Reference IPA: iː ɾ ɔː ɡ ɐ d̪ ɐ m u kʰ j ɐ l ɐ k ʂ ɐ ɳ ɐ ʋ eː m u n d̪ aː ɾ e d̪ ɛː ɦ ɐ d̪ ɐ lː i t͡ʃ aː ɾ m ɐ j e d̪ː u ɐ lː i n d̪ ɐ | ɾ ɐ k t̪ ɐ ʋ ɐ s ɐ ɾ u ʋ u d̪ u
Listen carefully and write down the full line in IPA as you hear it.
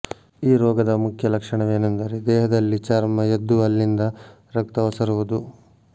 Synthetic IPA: iː ɾ ɔː ɡ ɐ d̪ ɐ m u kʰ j ɐ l ɐ k ʂ ɐ ɳ ɐ ʋ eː n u n d̪ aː ɾ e d̪ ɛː ɦ ɐ d̪ ɐ lː i t͡ʃ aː ɾ m ɐ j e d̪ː u ɐ lː i n d̪ ɐ | ɾ ɐ k t̪ ɐ ʋ ɐ s ɐ ɾ u ʋ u d̪ u

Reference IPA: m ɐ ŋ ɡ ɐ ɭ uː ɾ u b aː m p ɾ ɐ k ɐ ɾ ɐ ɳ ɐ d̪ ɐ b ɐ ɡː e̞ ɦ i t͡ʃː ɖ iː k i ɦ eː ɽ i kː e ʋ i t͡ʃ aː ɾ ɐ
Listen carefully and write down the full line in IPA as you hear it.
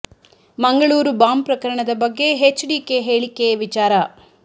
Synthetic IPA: m ɐ ŋ ɡ ɐ ɭ uː ɾ u b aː m p ɾ ɐ k ɐ ɾ ɐ ɳ ɐ d̪ ɐ b ɐ ɡː e̞ ɦ e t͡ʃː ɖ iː k e ɦ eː ɭ i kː e ʋ i t͡ʃ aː ɾ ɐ

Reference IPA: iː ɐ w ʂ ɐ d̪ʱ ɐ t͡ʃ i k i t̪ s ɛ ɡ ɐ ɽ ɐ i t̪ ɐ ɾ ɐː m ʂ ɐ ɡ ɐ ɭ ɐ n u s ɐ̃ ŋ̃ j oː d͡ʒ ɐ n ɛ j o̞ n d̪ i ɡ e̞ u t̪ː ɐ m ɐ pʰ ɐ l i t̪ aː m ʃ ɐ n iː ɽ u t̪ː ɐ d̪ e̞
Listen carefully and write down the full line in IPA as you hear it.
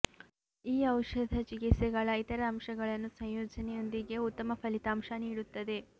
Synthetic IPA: iː ɐ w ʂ ɐ d̪ʱ ɐ t͡ʃ i k i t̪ s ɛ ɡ ɐ ɭ ɐ i t̪ ɐ ɾ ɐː m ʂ ɐ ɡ ɐ ɭ ɐ nː u s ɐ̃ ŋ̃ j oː d͡ʒ ɐ n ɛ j o̞ n d̪ i ɡ e̞ u t̪ː ɐ m ɐ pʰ ɐ l i t̪ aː m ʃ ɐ n iː ɽ u t̪ː ɐ d̪ e̞

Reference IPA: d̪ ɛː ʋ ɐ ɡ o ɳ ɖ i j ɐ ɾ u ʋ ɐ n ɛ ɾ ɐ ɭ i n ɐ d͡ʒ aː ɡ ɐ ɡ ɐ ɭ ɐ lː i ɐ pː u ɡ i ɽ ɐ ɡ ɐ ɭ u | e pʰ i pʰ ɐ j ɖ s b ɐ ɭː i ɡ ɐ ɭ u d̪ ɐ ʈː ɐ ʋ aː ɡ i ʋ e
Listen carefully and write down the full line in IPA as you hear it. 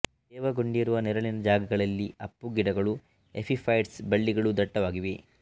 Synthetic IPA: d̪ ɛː ʋ ɐ ɡ o ɳ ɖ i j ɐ ɾ u ʋ ɐ n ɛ ɾ ɐ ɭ i n ɐ d͡ʒ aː ɡ ɐ ɡ ɐ ɭ ɐ lː i ɐ pː u ɡ i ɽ ɐ ɡ ɐ ɭ u | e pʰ i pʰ ɐ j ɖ s b ɐ ɭː i ɡ ɐ ɭ u d̪ ɐ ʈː ɐ ʋ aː ɡ i ʋ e

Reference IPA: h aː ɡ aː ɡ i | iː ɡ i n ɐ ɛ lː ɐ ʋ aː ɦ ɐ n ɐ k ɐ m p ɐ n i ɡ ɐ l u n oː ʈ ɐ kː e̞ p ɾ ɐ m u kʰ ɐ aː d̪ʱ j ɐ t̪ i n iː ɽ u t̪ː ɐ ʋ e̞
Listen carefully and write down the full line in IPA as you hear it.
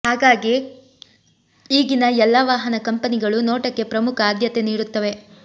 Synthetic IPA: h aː ɡ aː ɡ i | iː ɡ i n ɐ ɛ lː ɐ ʋ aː ɦ ɐ n ɐ k ɐ m p ɐ n i ɡ ɐ ɭ u n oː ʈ ɐ kː e̞ p ɾ ɐ m u kʰ ɐ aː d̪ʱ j ɐ t̪ e n iː ɽ u t̪ː ɐ ʋ e̞

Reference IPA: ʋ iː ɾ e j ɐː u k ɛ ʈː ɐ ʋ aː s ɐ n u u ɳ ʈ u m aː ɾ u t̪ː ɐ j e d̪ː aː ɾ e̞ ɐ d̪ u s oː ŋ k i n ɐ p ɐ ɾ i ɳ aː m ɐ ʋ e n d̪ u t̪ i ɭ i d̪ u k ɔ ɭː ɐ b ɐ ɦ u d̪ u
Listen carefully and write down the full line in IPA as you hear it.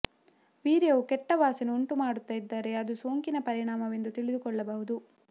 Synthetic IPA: ʋ iː ɾ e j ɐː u k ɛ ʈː ɐ ʋ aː s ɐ n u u ɳ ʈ u m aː ɽ u t̪ː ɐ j i d̪ː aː ɾ e̞ ɐ d̪ u s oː ŋ k i n ɐ p ɐ ɾ i ɳ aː m ɐ ʋ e n d̪ u t̪ i ɭ i d̪ u k ɔ ɭː ɐ b ɐ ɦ u d̪ u

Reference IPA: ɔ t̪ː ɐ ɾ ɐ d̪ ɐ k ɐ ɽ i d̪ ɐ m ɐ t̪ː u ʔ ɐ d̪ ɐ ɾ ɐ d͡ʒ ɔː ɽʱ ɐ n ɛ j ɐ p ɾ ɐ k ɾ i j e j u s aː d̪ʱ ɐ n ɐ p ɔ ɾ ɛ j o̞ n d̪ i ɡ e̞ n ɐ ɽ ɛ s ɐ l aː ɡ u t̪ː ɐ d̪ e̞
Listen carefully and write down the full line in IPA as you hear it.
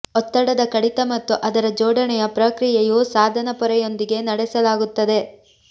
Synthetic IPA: ɔ t̪ː ɐ ɽ ɐ d̪ ɐ k ɐ ɽ i t̪ ɐ m ɐ t̪ː u ʔ ɐ d̪ ɐ ɾ ɐ d͡ʒ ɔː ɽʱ ɐ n ɛ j ɐ p ɾ ɐ k ɾ i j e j u s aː d̪ʱ ɐ n ɐ p ɔ ɾ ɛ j o̞ n d̪ i ɡ e̞ n ɐ ɽ ɛ s ɐ l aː ɡ u t̪ː ɐ d̪ e̞

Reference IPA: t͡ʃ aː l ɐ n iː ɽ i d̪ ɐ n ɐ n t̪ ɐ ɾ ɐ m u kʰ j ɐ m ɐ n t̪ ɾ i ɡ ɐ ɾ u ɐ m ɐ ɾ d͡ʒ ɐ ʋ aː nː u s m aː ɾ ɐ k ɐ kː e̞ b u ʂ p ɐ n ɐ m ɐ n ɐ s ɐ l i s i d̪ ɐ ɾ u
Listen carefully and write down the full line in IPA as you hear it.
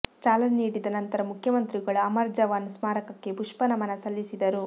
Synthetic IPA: t͡ʃ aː l ɐ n iː ɽ i d̪ ɐ n ɐ n t̪ ɐ ɾ ɐ m u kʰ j ɐ m ɐ n t̪ ɾ i ɡ ɐ ɭ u ɐ m ɐ ɾ d͡ʒ ɐ ʋ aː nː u s m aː ɾ ɐ k ɐ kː e̞ b u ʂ p ɐ n ɐ m ɐ n ɐ s ɐ lː i s i d̪ ɐ ɾ u

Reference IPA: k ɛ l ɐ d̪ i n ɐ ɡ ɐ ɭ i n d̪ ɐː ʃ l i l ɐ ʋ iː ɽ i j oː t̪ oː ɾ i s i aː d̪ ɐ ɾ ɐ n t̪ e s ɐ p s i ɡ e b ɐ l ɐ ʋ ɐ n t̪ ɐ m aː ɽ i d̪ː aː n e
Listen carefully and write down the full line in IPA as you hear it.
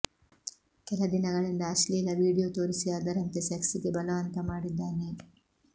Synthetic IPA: k ɛ l ɐ d̪ i n ɐ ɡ ɐ ɭ i n d̪ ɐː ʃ l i l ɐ ʋ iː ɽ i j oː t̪ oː ɾ i s i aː d̪ ɐ ɾ ɐ n t̪ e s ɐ k s i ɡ e b ɐ l ɐ ʋ ɐ n t̪ ɐ m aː ɽ i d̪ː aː n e

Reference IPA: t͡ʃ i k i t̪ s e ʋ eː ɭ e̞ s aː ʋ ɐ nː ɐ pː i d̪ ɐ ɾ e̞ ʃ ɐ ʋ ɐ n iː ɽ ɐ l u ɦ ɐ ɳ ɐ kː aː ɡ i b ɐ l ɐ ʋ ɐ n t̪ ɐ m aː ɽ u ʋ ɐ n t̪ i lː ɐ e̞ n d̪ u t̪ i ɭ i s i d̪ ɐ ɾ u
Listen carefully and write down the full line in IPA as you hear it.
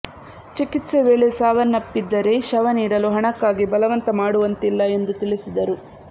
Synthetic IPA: t͡ʃ i k i t̪ s e ʋ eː ɭ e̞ s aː ʋ ɐ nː ɐ pː i d̪ː ɐ ɾ e̞ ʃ ɐ ʋ ɐ n iː ɽ ɐ l u ɦ ɐ ɳ ɐ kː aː ɡ i b ɐ l ɐ ʋ ɐ n t̪ ɐ m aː ɽ u ʋ ɐ n t̪ i lː ɐ e̞ n d̪ u t̪ i ɭ i s i d̪ ɐ ɾ u

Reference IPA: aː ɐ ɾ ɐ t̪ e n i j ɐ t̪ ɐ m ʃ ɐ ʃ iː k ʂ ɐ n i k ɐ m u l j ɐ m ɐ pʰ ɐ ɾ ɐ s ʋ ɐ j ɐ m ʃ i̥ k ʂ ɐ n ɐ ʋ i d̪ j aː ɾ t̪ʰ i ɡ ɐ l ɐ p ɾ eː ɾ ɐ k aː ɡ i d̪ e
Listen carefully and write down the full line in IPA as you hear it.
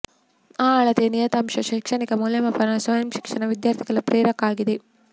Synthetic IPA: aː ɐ ɭ ɐ t̪ e n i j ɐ t̪ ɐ m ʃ ɐ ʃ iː k ʂ ɐ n i k ɐ m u l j ɐ m ɐ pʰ ɐ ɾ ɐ s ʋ ɐ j ɐ m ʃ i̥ k ʂ ɐ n ɐ ʋ i d̪ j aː ɾ t̪ʰ i ɡ ɐ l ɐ p ɾ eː ɾ ɐ k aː ɡ i d̪ e

